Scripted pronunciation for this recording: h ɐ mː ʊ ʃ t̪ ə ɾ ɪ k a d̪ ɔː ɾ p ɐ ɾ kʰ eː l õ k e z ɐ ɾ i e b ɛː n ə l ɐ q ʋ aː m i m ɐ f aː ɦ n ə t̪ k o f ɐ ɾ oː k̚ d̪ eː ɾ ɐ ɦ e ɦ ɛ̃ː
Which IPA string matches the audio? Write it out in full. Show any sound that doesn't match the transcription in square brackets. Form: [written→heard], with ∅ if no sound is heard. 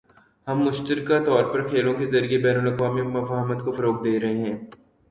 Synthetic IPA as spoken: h ɐ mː ʊ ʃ t̪ ə ɾ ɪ k a [d̪→t̪] ɔː ɾ p ɐ ɾ kʰ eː l õ k e z ɐ ɾ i e b ɛː n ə l ɐ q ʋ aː m i m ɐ f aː ɦ [n→m] ə t̪ k o f ɐ ɾ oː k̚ d̪ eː ɾ ɐ ɦ e ɦ ɛ̃ː